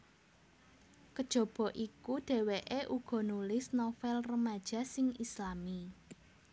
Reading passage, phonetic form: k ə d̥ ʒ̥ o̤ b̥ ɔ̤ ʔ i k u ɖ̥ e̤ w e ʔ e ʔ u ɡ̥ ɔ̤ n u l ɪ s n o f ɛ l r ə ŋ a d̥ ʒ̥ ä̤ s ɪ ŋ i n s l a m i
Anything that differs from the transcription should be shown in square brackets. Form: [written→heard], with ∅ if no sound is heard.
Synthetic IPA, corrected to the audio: k ə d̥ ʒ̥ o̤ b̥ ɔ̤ ʔ i k u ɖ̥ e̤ w e ʔ e ʔ u ɡ̥ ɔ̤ n u l ɪ s n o f ɛ l r ə [ŋ→m] a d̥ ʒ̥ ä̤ s ɪ ŋ i [n→∅] s l a m i

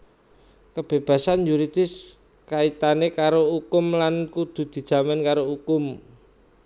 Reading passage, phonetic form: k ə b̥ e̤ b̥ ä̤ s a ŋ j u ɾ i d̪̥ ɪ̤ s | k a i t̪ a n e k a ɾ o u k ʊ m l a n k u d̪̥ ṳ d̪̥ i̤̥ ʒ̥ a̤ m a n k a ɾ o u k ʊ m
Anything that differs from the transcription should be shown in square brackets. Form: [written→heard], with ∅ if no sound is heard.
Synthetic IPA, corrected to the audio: k ə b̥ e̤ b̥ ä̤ s a [ŋ→n] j u ɾ i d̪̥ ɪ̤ s | k a i t̪ a n e k a ɾ o u k ʊ m l a n k u d̪̥ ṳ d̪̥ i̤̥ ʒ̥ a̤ m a n k a ɾ o u k ʊ m

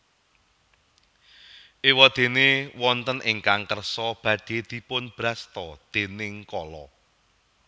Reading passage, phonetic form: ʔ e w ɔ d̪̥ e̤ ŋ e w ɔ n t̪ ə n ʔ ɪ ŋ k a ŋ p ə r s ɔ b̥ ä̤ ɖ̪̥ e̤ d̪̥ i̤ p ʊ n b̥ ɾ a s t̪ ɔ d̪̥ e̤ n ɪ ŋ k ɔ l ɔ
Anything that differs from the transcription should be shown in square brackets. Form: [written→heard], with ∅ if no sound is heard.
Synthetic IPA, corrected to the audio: ʔ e w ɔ d̪̥ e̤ [ŋ→n] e w ɔ n t̪ ə n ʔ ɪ ŋ k a ŋ [p→k] ə r s ɔ b̥ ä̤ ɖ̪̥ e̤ d̪̥ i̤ p ʊ n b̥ ɾ a s t̪ ɔ d̪̥ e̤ n ɪ ŋ k ɔ l ɔ

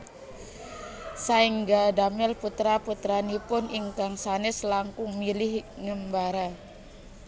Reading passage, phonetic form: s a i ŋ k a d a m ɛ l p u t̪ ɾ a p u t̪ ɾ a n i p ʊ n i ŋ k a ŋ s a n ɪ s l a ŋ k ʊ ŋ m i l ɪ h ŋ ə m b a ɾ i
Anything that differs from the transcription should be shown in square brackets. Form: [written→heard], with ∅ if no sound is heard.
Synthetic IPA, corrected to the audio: s a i ŋ [k→ɡ] a d a m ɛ l p u t̪ ɾ a p u t̪ ɾ a n i p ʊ n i ŋ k a ŋ s a n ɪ s l a ŋ k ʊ ŋ m i l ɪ h ŋ ə m b a ɾ [i→a]

